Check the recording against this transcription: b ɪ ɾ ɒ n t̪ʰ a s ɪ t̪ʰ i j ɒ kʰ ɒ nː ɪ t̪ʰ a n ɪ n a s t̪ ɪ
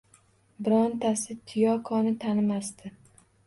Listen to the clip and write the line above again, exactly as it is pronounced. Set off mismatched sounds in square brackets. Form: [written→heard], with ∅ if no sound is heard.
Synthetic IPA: b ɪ ɾ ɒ n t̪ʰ a s ɪ t̪ʰ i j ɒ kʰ ɒ [nː→n] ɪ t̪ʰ a n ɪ [n→m] a s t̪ ɪ